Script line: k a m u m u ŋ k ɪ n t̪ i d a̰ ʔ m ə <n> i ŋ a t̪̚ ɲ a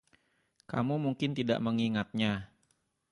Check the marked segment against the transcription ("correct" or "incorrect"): incorrect